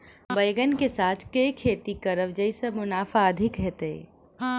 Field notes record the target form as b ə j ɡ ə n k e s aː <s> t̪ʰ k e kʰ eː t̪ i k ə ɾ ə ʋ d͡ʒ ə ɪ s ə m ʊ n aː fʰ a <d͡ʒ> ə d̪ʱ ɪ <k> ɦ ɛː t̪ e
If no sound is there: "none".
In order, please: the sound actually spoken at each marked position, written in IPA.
none, none, k

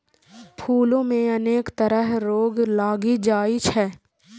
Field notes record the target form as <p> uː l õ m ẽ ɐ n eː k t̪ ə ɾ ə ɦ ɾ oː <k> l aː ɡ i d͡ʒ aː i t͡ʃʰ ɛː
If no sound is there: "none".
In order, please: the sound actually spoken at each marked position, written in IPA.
pʰ, ɡ

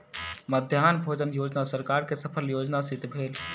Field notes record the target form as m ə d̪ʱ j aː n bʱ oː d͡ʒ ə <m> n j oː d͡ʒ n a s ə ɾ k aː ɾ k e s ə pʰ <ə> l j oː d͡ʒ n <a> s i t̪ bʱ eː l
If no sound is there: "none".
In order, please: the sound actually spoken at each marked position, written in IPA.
none, ə, a

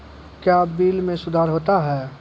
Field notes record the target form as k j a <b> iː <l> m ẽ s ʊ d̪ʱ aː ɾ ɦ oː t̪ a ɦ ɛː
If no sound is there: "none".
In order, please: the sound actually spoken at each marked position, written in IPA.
b, l

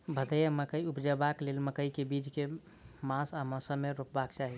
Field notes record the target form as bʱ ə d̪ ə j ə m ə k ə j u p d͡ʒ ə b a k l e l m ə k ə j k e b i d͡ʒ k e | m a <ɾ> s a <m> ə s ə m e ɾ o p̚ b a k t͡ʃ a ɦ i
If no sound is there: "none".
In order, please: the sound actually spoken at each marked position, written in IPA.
none, m

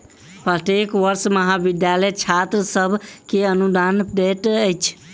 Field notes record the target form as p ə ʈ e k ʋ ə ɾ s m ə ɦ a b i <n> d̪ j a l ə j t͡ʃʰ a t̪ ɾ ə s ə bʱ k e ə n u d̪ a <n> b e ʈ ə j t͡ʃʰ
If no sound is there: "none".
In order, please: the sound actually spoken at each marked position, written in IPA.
none, n

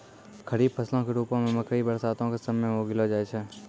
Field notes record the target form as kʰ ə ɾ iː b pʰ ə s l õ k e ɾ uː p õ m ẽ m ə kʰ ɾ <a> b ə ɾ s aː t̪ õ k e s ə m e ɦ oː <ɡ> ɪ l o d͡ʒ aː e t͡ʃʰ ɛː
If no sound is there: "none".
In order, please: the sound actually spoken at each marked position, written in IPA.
i, ɡ

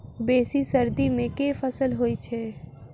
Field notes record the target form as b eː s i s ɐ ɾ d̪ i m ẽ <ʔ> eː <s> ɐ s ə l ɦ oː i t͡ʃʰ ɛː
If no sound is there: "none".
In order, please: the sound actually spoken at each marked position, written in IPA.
k, f

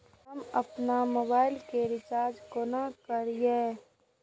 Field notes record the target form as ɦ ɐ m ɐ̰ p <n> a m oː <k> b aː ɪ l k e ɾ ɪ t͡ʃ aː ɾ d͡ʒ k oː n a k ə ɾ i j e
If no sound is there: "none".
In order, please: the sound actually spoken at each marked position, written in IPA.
n, none

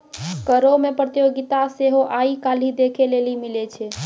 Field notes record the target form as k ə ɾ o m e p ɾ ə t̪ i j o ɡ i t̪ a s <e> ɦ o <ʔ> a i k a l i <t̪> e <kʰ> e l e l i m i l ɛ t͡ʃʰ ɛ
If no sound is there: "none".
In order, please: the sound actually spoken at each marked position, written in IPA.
e, ʔ, d̪, kʰ

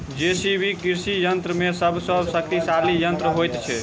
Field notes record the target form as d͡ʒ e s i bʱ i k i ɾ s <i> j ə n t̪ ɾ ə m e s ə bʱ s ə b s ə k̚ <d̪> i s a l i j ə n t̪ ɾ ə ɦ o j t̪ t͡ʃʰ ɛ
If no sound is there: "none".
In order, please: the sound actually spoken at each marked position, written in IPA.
i, t̪

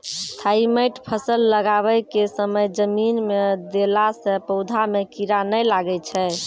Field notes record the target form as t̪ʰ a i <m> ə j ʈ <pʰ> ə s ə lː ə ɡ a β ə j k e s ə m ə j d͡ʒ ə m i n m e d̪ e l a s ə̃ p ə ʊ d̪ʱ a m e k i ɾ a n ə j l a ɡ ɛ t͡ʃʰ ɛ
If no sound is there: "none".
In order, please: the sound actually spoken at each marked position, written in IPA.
m, pʰ

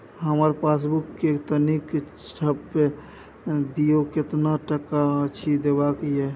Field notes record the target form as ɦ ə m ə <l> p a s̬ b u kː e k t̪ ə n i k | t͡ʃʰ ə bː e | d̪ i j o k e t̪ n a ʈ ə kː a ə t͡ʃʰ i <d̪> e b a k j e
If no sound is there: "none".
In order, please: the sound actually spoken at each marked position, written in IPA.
ɾ, d̪

